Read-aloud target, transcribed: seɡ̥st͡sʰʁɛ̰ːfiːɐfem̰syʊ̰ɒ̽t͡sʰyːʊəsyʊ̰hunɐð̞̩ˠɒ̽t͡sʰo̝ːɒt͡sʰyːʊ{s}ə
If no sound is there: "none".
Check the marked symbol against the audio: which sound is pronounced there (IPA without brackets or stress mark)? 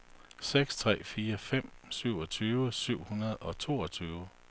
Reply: none